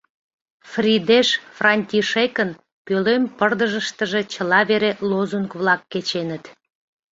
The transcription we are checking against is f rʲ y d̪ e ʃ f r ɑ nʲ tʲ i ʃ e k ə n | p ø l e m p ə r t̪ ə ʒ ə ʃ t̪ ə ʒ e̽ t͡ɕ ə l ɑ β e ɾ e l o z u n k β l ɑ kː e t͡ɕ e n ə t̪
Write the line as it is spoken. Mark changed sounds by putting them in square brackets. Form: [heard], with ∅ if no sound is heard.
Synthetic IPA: f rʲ [i] d̪ e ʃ f r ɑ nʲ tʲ i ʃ e k ə n | p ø l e m p ə r [d̪] ə ʒ ə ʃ t̪ ə ʒ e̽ t͡ɕ ə l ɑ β e ɾ e l o z u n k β l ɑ kː e t͡ɕ e n ə t̪